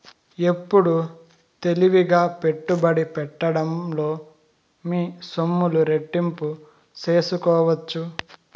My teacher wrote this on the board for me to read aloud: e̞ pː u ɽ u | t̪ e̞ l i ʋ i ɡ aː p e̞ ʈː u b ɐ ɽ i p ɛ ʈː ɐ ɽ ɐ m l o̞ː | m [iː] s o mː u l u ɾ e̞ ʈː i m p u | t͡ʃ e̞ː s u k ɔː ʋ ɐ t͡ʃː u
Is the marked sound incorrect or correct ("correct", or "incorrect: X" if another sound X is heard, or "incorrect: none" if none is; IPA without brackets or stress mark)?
correct